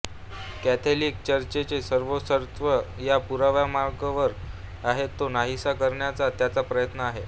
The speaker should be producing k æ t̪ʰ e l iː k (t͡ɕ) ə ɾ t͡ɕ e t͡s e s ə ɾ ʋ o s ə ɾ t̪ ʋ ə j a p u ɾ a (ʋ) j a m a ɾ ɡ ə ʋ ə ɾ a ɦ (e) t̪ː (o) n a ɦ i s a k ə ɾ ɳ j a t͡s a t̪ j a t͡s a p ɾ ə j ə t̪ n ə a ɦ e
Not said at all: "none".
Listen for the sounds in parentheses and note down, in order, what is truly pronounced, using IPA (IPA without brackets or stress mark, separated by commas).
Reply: t͡ɕ, ʋ, e, o